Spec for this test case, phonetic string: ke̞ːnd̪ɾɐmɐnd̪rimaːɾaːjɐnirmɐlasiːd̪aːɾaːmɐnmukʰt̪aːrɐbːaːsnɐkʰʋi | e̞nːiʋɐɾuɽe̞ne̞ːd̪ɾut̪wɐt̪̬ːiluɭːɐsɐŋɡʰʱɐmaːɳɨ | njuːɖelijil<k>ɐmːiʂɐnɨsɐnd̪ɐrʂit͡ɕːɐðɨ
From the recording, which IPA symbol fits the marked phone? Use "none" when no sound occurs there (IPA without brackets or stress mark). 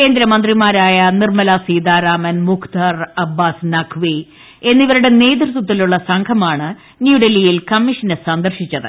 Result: k